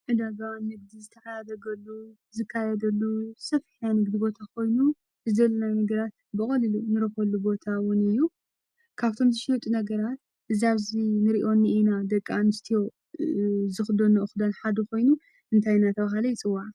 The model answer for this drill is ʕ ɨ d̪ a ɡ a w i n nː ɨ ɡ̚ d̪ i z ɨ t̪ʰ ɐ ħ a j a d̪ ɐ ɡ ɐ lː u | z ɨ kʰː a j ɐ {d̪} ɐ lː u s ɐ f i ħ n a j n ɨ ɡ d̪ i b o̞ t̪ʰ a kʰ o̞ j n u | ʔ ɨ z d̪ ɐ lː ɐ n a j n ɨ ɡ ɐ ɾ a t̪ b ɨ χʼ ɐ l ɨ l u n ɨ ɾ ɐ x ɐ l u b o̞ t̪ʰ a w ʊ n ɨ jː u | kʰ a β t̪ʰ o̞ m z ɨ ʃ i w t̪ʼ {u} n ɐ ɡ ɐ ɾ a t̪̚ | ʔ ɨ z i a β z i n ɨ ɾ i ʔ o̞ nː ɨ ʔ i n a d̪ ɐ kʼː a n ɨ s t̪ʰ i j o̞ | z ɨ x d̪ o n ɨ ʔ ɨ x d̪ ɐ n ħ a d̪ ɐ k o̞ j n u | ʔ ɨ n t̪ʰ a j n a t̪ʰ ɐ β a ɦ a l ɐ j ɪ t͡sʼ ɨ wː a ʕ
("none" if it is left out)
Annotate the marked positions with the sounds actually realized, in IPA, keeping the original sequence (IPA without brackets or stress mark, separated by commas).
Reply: d̪, u